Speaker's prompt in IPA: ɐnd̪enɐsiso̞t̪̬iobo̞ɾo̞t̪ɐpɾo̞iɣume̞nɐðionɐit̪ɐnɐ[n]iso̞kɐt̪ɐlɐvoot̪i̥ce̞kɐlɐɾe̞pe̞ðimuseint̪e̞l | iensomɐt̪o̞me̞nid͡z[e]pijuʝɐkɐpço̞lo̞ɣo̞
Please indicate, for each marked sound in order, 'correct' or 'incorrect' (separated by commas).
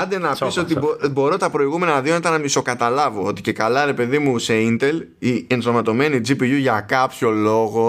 incorrect, incorrect